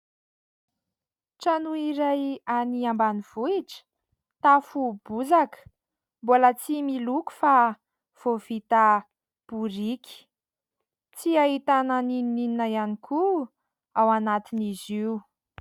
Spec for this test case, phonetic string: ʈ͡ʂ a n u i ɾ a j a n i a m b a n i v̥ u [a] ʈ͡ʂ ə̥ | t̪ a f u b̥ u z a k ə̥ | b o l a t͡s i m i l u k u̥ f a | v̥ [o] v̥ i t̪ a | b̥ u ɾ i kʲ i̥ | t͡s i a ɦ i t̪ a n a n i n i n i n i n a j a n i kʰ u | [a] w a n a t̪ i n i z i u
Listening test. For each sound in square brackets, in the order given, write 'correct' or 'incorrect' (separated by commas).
incorrect, correct, correct